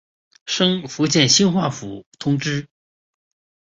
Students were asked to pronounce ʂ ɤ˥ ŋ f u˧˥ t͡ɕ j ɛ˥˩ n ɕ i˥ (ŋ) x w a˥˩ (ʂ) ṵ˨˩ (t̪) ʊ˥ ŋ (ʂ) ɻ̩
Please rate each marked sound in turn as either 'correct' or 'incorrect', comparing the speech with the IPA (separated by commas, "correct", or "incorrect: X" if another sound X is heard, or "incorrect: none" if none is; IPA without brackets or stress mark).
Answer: incorrect: n, incorrect: f, incorrect: t̪ʰ, incorrect: ʈ͡ʂ